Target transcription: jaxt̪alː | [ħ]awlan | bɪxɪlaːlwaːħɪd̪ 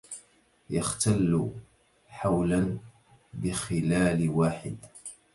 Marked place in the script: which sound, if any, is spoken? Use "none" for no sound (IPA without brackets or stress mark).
ħ